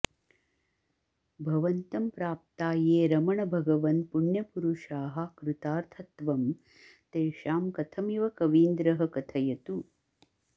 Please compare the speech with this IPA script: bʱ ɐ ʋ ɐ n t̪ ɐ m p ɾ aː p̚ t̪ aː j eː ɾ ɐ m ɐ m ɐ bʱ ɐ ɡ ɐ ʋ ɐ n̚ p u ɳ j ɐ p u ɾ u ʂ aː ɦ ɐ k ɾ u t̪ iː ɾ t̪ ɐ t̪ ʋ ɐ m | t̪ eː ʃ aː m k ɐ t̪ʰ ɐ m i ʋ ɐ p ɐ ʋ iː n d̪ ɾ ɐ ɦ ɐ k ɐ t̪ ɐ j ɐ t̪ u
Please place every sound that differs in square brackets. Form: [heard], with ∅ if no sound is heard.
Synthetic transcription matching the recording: bʱ ɐ ʋ ɐ n t̪ ɐ m p ɾ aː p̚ t̪ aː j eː ɾ ɐ m ɐ [ɳ] ɐ bʱ ɐ ɡ ɐ ʋ ɐ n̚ p u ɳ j ɐ p u ɾ u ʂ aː ɦ ɐ k ɾ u t̪ [aː] ɾ [t̪ʰ] ɐ t̪ ʋ ɐ m | t̪ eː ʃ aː m k ɐ t̪ʰ ɐ m i ʋ ɐ [k] ɐ ʋ iː n d̪ ɾ ɐ ɦ ɐ k ɐ [t̪ʰ] ɐ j ɐ t̪ u